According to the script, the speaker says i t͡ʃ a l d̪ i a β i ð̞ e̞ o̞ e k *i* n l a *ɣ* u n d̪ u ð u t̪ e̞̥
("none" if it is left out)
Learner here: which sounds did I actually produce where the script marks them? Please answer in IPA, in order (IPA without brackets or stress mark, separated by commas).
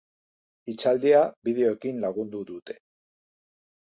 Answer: i, ɣ